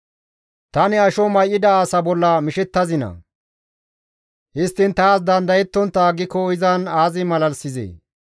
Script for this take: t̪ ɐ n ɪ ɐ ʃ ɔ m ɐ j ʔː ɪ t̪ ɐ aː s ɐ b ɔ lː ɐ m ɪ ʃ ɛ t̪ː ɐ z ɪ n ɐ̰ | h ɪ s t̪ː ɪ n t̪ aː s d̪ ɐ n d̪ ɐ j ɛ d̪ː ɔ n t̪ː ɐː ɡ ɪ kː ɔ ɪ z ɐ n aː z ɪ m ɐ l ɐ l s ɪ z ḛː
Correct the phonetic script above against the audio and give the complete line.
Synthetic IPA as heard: t̪ ɐ n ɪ ɐ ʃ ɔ m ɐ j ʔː ɪ d̪ ɐ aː s ɐ b ɔ lː ɐ m ɪ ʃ ɛ t̪ː ɐ z ɪ n ɐ̰ | h ɪ s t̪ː ɪ n t̪ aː s d̪ ɐ n d̪ ɐ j ɛ t̪ː ɔ n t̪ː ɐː ɡ ɪ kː ɔ ɪ z ɐ n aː z ɪ m ɐ l ɐ l s ɪ z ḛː